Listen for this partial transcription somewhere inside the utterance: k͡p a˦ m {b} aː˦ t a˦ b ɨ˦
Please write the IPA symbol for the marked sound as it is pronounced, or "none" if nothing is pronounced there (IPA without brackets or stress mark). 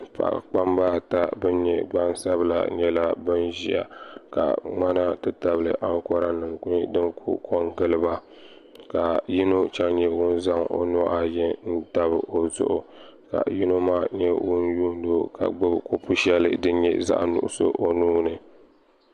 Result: b